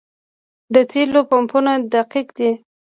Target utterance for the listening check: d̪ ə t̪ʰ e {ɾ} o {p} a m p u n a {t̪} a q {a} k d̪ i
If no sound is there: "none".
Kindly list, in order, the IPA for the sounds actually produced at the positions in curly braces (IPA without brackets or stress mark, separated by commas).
l, p, d̪, i